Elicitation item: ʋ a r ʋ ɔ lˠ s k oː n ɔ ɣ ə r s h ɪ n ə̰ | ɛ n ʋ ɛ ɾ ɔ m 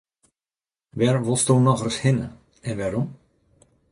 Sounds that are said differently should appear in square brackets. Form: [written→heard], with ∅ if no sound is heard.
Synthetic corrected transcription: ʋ [a→ɛ] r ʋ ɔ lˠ s [k→t] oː n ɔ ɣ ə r s h ɪ n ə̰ | ɛ n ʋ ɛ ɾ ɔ m